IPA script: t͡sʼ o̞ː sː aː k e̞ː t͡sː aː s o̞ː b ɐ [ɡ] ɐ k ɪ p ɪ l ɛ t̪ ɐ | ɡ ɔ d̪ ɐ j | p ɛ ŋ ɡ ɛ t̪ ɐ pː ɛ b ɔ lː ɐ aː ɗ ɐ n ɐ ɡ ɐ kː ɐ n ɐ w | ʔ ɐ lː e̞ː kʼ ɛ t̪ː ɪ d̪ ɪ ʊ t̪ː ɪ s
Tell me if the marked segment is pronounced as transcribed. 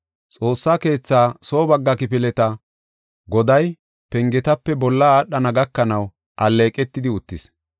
no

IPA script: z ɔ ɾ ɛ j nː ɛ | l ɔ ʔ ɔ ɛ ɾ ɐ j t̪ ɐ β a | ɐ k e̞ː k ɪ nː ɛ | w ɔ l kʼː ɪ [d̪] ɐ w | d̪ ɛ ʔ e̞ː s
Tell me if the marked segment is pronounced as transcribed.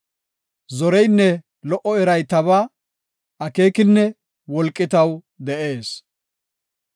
no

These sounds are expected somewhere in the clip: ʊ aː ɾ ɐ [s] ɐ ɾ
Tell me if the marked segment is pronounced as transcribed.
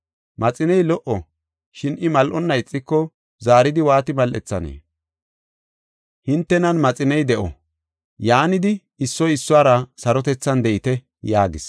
yes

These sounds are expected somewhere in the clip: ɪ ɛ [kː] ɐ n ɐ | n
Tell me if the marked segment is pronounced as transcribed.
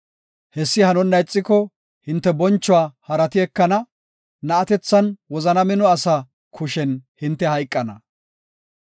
yes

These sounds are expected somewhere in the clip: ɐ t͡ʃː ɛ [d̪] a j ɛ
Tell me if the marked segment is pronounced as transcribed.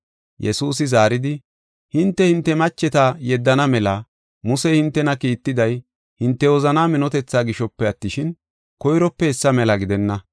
no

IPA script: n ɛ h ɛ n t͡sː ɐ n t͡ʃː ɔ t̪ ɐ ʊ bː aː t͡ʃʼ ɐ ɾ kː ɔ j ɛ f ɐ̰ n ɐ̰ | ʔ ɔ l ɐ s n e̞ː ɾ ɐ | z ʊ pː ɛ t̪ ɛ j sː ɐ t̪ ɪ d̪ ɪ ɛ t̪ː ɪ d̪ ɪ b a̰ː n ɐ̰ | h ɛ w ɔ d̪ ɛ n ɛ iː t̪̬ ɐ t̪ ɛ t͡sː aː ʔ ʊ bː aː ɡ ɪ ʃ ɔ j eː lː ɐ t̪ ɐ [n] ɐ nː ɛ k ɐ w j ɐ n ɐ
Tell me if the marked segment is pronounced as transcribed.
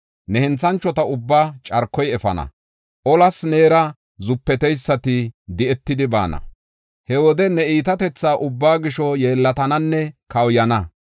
yes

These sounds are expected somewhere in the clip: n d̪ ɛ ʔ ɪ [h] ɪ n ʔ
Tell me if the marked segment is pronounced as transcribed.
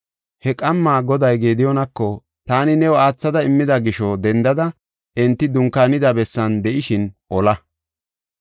no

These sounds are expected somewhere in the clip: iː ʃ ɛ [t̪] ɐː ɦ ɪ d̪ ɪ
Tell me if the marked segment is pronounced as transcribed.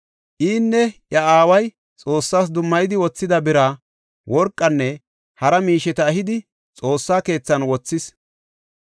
yes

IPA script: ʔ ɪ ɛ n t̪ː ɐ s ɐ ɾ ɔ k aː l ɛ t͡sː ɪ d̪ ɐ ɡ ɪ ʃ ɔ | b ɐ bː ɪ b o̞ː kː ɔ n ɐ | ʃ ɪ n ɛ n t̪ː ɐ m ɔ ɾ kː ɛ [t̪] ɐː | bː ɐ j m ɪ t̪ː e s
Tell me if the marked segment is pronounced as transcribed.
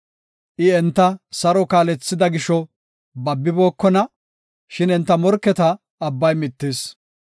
yes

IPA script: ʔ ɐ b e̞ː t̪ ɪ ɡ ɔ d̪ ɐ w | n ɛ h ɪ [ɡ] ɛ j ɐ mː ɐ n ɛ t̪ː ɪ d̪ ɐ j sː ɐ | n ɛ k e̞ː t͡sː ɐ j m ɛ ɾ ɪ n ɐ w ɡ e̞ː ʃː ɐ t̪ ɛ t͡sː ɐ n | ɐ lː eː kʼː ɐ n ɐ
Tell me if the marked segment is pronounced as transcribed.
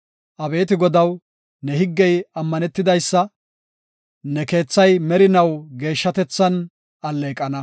no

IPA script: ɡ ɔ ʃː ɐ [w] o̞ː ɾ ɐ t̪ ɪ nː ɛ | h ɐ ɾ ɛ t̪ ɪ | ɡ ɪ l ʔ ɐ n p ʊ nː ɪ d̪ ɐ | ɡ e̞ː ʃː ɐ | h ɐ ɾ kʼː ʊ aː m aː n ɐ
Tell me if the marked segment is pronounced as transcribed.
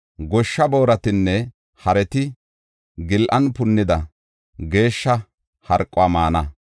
no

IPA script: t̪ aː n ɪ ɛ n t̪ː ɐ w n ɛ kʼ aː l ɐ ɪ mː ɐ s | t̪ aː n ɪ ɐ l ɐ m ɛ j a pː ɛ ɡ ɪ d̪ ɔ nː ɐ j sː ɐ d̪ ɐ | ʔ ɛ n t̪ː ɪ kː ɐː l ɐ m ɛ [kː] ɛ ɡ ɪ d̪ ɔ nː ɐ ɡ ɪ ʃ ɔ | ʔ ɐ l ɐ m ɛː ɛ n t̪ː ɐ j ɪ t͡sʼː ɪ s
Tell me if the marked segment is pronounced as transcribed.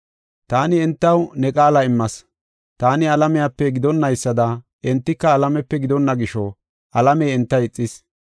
no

